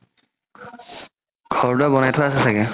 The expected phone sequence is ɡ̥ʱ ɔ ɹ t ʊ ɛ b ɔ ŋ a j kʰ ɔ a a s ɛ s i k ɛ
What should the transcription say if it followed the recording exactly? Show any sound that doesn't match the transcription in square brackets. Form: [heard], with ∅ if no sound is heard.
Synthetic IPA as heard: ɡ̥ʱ ɔ ɹ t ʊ [a] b ɔ [n] a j [tʰ] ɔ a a s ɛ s [a] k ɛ